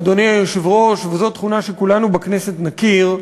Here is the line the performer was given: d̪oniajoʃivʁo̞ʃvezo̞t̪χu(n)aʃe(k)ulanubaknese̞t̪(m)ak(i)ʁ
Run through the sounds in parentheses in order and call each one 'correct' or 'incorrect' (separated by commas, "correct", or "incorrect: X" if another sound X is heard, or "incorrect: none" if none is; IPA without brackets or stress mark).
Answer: correct, correct, incorrect: n, correct